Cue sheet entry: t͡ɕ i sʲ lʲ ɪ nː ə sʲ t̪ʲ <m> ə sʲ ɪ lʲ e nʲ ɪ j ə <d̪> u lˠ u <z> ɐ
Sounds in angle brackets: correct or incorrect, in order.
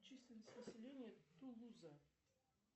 incorrect: n, incorrect: t̪, correct

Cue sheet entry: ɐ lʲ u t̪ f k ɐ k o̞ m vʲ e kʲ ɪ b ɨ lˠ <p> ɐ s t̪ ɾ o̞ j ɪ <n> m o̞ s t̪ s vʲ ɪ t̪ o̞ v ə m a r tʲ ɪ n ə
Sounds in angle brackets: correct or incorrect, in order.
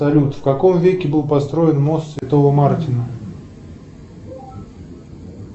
correct, correct

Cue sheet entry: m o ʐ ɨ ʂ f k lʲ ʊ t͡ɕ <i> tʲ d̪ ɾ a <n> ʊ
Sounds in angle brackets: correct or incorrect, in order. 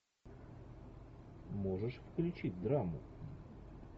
correct, incorrect: m

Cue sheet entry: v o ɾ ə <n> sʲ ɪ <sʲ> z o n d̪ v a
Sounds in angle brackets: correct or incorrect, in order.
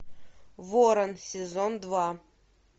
correct, incorrect: none

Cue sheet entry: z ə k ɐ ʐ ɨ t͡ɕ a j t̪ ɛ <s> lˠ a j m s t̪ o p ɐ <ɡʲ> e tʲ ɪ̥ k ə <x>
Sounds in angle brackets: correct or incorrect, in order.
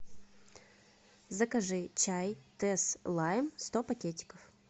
correct, incorrect: kʲ, incorrect: f

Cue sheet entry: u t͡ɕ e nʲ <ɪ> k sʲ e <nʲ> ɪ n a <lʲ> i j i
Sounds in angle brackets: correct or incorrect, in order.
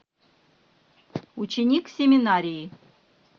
incorrect: i, incorrect: mʲ, incorrect: ɾʲ

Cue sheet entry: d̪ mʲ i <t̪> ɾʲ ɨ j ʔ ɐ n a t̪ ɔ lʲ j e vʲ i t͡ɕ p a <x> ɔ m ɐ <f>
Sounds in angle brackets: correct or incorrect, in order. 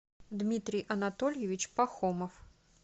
correct, correct, correct

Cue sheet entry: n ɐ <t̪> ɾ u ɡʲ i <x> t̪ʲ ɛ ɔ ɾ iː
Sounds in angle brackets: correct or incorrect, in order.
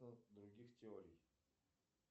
incorrect: d̪, correct

